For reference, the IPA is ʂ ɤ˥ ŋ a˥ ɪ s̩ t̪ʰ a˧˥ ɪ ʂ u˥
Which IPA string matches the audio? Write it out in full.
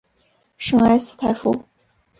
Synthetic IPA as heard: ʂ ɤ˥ ŋ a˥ ɪ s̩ t̪ʰ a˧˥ ɪ f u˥